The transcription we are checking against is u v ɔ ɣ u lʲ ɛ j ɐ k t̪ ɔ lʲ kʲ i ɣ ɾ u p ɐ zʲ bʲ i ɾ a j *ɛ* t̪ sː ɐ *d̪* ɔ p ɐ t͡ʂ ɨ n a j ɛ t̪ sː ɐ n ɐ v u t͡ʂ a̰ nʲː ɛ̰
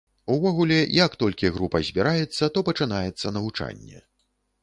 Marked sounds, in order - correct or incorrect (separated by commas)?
correct, incorrect